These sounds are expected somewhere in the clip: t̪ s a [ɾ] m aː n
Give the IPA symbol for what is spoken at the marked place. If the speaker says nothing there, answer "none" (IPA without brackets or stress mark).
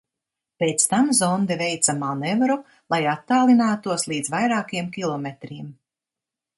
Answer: none